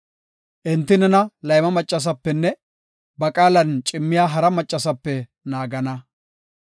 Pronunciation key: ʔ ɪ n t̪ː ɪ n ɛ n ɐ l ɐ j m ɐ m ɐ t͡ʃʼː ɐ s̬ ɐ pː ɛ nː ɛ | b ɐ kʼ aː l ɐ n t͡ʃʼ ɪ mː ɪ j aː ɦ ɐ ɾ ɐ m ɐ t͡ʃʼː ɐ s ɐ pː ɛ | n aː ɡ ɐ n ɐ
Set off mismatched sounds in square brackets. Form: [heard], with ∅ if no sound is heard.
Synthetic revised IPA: ʔ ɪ n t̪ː ɪ n ɛ n ɐ l ɐ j m ɐ m ɐ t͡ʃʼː ɐ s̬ ɐ pː ɛ nː ɛ | b ɐ kʼ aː l ɐ n t͡ʃʼ ɪ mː ɪ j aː ɦ ɐ ɾ ɐ m ɐ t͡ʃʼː ɐ s ɐ pː ɛ | n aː ɡ ɐ n ɐ